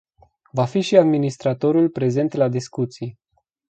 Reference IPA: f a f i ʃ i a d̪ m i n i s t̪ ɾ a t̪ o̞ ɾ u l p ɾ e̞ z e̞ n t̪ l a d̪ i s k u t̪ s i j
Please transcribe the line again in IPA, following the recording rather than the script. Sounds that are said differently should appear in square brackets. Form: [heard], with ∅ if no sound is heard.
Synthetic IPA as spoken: [v] a f i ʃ i a d̪ m i n i s t̪ ɾ a t̪ o̞ ɾ u l p ɾ e̞ z e̞ n t̪ l a d̪ i s k u t̪ s i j

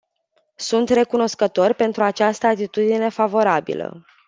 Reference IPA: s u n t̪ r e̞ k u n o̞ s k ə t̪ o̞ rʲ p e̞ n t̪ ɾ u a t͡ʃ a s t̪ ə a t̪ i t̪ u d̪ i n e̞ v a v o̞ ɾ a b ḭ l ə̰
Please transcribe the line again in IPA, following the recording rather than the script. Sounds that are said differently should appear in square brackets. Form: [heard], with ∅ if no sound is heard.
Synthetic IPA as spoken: s u n t̪ r e̞ k u n o̞ s k ə t̪ o̞ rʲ p e̞ n t̪ ɾ u a t͡ʃ a s t̪ ə a t̪ i t̪ u d̪ i n e̞ [f] a v o̞ ɾ a b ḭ l ə̰

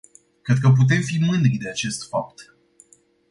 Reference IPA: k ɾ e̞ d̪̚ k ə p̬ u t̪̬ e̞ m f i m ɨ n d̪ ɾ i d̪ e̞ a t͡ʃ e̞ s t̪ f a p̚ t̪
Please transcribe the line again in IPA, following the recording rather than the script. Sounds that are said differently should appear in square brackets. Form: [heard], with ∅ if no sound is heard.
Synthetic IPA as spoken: k ɾ e̞ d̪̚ k ə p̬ u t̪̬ e̞ m f i m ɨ n d̪ ɾ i d̪ e̞ a t͡ʃ e̞ s t̪ f a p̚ t̪

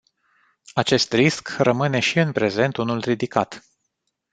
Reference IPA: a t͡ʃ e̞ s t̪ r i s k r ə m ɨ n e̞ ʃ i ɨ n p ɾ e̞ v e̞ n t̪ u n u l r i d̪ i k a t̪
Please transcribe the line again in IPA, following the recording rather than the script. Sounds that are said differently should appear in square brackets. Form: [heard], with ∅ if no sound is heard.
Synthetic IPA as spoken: a t͡ʃ e̞ s t̪ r i s k r ə m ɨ n e̞ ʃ i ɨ n p ɾ e̞ [z] e̞ n t̪ u n u l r i d̪ i k a t̪

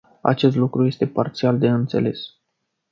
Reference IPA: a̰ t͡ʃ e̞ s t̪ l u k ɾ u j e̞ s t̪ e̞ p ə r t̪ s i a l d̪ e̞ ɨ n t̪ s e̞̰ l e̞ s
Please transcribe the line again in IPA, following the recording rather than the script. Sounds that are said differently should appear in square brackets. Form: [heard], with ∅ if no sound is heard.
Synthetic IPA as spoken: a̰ t͡ʃ e̞ s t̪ l u k ɾ u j e̞ s t̪ e̞ p [a] r t̪ s i a l d̪ e̞ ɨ n t̪ s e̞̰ l e̞ s

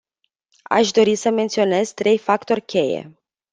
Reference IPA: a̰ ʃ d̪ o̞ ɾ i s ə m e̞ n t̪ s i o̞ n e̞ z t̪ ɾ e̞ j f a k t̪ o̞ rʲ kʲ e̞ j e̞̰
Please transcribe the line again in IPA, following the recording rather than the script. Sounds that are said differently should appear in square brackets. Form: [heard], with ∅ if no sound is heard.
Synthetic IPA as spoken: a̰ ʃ d̪ o̞ ɾ i s ə m e̞ n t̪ s i o̞ n e̞ z t̪ ɾ e̞ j f a k t̪ o̞ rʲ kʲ e̞ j e̞̰

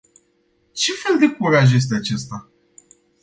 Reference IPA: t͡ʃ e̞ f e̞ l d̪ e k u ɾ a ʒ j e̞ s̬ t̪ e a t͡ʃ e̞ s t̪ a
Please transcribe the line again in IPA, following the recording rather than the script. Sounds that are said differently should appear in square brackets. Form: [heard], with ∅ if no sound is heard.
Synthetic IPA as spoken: t͡ʃ e̞ f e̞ l d̪ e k u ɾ a ʒ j e̞ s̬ t̪ e a t͡ʃ e̞ s t̪ a

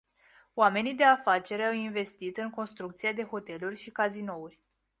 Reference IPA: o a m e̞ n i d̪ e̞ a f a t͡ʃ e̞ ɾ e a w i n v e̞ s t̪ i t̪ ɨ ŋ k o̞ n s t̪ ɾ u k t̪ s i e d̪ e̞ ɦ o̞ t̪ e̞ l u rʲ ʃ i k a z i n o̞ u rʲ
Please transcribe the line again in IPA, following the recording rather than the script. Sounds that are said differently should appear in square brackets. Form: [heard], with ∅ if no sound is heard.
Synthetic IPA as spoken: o a m e̞ n i d̪ e̞ a f a t͡ʃ e̞ ɾ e a w i n v e̞ s t̪ i t̪ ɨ ŋ k o̞ n s t̪ ɾ u k t̪ s i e d̪ e̞ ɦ o̞ t̪ e̞ l u rʲ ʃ i k a z i n o̞ u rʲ

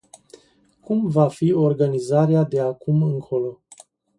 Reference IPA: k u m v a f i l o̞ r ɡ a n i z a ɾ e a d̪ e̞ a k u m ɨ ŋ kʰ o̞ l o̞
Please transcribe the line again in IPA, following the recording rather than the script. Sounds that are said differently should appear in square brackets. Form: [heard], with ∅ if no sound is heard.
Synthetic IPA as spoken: k u m v a f i [∅] o̞ r ɡ a n i z a ɾ e a d̪ e̞ a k u m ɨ ŋ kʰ o̞ l o̞

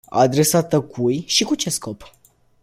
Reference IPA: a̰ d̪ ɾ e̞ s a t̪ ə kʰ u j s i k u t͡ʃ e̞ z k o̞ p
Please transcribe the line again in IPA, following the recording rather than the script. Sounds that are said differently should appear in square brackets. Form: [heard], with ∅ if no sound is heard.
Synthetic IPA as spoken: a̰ d̪ ɾ e̞ s a t̪ ə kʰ u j [ʃ] i k u t͡ʃ e̞ [s] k o̞ p

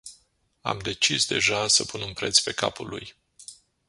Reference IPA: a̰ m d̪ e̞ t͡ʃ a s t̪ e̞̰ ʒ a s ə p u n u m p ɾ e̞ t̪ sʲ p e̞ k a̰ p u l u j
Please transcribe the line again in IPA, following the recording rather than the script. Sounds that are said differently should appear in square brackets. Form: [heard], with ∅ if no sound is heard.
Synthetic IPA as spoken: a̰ m d̪ e̞ t͡ʃ [i] s [d̪] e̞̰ ʒ a s ə p u n u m p ɾ e̞ t̪ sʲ p e̞ k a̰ p u l u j

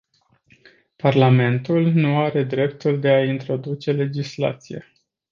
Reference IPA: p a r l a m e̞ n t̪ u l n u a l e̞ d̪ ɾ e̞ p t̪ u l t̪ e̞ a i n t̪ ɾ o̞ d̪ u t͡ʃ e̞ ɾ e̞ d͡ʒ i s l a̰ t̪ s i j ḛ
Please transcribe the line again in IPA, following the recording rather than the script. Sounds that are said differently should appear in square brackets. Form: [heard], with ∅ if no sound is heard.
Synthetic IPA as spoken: p a r l a m e̞ n t̪ u l n u a [ɾ] e̞ d̪ ɾ e̞ p t̪ u l [d̪] e̞ a i n t̪ ɾ o̞ d̪ u t͡ʃ e̞ [l] e̞ d͡ʒ i s l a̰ t̪ s i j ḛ

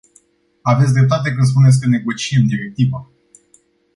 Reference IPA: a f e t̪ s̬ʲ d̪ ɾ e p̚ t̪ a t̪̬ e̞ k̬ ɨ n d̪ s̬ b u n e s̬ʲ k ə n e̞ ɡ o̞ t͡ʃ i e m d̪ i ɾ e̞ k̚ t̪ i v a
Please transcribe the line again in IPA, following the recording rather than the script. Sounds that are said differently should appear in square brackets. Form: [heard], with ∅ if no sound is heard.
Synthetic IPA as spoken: a [v] e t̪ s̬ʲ d̪ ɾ e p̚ t̪ a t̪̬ e̞ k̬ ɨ n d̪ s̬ [p] u n e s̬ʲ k ə n e̞ ɡ o̞ t͡ʃ i e m d̪ i ɾ e̞ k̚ t̪ i v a

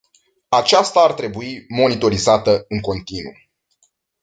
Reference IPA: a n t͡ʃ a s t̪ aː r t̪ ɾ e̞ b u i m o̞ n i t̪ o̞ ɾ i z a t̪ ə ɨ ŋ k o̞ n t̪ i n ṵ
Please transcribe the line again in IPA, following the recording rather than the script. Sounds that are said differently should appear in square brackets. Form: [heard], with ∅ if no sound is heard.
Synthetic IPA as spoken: a [∅] t͡ʃ a s t̪ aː r t̪ ɾ e̞ b u i m o̞ n i t̪ o̞ ɾ i z a t̪ ə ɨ ŋ k o̞ n t̪ i n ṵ

